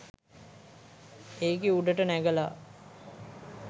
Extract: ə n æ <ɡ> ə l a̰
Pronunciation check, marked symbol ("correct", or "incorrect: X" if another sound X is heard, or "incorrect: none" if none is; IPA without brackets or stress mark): correct